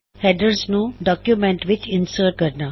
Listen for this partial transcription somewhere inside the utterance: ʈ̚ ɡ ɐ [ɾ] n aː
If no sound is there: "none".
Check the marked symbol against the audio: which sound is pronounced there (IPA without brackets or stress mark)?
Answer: ɾ